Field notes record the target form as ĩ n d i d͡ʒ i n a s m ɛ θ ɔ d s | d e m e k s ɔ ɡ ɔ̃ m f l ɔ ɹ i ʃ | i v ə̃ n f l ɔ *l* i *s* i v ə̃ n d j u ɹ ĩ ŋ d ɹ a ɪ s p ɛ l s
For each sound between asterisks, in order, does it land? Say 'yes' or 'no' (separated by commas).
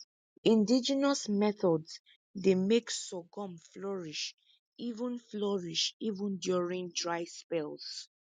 no, no